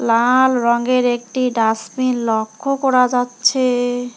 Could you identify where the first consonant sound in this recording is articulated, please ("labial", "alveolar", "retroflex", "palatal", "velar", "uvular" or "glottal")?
alveolar